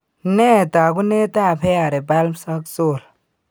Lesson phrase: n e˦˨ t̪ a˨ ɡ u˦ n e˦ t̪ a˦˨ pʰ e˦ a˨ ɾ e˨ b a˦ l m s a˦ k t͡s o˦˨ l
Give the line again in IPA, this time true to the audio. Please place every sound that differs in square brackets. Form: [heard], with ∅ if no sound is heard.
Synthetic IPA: n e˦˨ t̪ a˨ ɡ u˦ n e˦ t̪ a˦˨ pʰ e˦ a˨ ɾ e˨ b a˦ l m s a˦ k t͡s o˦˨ l